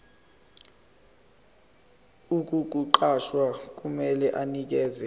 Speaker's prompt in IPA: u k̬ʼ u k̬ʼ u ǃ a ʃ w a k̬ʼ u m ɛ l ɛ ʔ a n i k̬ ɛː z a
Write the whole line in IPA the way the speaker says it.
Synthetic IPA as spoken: u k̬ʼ u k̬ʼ u ǃ a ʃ w a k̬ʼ u m ɛ l ɛ ʔ a n i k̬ ɛː z ɛ